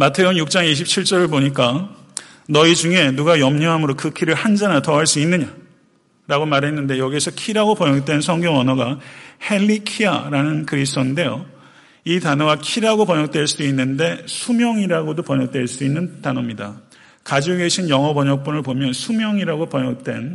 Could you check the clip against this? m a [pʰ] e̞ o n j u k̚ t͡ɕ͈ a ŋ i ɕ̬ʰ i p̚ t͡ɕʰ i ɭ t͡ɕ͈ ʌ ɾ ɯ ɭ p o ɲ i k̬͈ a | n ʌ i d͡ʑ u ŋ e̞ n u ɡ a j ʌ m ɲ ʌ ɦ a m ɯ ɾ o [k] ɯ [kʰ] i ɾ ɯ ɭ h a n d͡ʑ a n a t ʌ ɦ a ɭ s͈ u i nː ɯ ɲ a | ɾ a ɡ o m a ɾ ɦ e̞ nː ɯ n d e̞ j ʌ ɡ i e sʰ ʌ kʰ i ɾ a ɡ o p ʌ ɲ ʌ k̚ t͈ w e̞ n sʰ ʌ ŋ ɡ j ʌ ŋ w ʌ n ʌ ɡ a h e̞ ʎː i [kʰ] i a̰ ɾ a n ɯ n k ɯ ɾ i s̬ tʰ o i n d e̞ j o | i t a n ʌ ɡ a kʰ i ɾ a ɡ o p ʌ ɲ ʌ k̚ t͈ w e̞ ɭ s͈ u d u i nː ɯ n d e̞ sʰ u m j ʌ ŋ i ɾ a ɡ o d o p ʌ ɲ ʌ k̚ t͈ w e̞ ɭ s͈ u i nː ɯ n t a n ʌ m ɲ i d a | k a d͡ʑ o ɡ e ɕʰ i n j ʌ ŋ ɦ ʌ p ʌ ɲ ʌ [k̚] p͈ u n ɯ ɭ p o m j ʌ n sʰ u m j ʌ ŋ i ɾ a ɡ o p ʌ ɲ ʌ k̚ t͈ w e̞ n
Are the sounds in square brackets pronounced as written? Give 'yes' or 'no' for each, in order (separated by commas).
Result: no, yes, yes, yes, yes